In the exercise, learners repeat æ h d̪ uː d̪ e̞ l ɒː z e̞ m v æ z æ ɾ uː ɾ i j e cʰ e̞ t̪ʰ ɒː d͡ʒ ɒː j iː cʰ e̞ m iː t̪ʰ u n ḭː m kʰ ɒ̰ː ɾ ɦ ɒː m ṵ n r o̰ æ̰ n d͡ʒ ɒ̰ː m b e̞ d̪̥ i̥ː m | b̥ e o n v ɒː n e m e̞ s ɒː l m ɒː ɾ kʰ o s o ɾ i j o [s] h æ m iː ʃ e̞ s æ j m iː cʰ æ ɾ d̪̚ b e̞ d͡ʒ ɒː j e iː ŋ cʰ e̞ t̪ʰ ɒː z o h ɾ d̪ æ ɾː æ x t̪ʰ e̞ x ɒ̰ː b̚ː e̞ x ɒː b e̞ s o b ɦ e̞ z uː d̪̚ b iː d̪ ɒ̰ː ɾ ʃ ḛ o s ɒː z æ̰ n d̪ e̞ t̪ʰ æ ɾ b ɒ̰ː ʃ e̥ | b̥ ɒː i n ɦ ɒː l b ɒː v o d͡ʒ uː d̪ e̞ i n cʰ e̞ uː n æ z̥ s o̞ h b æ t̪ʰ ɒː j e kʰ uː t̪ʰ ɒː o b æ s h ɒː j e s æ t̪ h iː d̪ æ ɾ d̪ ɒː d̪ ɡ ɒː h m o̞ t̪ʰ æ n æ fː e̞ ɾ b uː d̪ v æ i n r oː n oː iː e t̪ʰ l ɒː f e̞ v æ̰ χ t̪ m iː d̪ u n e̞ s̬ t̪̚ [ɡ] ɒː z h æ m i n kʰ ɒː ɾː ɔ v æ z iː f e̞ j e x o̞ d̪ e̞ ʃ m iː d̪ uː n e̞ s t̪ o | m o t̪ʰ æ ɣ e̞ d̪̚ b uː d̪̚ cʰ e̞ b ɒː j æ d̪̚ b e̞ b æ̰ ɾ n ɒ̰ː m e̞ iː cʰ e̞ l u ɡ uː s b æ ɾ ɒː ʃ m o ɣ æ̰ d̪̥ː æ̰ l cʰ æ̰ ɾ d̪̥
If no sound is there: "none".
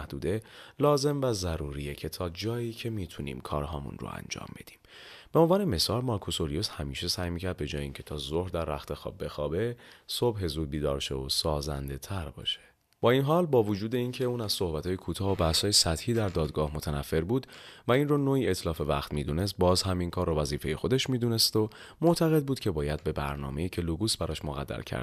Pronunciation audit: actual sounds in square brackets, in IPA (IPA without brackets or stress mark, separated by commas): s, b